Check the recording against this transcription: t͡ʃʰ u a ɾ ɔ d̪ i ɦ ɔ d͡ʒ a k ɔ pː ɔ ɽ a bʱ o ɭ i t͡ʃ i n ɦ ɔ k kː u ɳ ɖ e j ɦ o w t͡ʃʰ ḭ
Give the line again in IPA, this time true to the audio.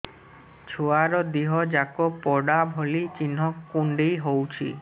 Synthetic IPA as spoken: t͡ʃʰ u a ɾ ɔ d̪ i ɦ ɔ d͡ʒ a k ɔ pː ɔ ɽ a bʱ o l i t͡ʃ i n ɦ ɔ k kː u ɳ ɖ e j ɦ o w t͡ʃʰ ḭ